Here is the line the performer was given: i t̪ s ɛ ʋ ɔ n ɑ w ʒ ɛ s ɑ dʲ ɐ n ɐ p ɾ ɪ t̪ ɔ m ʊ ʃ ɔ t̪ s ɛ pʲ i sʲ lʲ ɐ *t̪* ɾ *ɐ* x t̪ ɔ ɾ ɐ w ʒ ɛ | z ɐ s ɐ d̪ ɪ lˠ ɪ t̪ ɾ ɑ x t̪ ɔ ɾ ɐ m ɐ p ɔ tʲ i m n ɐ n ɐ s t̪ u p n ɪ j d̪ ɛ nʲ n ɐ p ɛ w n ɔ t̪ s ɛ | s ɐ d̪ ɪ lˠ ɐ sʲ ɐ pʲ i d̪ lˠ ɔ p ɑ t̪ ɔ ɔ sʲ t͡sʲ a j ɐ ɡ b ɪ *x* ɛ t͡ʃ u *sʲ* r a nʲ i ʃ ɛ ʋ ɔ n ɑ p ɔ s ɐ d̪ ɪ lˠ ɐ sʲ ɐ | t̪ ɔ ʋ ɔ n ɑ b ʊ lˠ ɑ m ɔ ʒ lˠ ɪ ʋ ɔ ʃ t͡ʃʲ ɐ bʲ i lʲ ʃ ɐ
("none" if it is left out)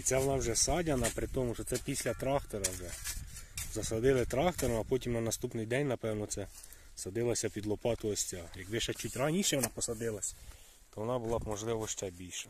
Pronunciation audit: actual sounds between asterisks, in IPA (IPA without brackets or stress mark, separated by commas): t̪, ɑ, ʃ, tʲ